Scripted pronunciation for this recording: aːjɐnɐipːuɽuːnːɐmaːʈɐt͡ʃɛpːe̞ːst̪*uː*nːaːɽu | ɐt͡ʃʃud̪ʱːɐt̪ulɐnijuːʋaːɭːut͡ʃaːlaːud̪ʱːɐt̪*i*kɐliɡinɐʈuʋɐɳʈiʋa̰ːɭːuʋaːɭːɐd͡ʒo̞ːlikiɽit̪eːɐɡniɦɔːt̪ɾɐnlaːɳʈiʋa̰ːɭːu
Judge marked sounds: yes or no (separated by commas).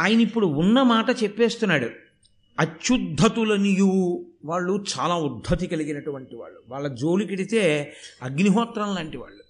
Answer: no, yes